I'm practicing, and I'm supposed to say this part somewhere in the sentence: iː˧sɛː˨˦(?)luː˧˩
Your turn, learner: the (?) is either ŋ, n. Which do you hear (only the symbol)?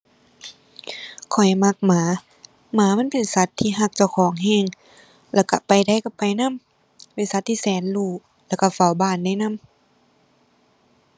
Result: n